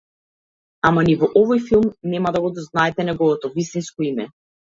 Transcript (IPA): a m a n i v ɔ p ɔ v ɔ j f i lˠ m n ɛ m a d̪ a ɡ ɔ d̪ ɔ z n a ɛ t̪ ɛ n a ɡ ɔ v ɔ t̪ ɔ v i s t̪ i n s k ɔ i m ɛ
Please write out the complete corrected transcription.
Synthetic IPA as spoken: a m a n i v ɔ ʔ ɔ v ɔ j f i lˠ m n ɛ m a d̪ a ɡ ɔ d̪ ɔ z n a ɛ t̪ ɛ n ɛ ɡ ɔ v ɔ t̪ ɔ v i s t̪ i n s k ɔ i m ɛ